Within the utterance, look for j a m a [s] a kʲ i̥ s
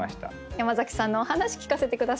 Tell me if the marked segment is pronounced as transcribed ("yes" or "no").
no